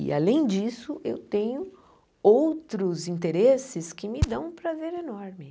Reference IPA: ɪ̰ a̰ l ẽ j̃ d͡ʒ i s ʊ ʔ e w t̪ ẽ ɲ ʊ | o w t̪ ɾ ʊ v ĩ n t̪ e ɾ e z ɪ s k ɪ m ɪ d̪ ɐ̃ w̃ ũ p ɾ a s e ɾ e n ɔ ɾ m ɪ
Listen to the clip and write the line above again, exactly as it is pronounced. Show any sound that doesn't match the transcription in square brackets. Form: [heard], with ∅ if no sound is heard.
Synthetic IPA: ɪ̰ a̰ l ẽ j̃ d͡ʒ i s ʊ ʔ e w t̪ ẽ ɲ ʊ | o w t̪ ɾ ʊ [z] ĩ n t̪ e ɾ e [s] ɪ s k ɪ m ɪ d̪ ɐ̃ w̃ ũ p ɾ a [z] e ɾ e n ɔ ɾ m ɪ